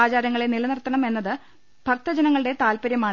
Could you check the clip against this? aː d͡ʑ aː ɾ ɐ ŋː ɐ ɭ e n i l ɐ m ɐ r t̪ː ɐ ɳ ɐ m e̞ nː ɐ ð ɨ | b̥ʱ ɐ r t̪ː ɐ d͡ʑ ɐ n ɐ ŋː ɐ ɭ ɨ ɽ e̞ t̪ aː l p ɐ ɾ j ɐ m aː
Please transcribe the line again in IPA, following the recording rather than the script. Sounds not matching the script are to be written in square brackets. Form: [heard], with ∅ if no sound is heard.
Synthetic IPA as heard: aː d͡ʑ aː ɾ ɐ ŋː ɐ ɭ e n i l ɐ [n] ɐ r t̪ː ɐ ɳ ɐ m e̞ nː ɐ ð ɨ | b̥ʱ ɐ r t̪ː ɐ d͡ʑ ɐ n ɐ ŋː ɐ ɭ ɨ ɽ e̞ t̪ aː l p ɐ ɾ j ɐ m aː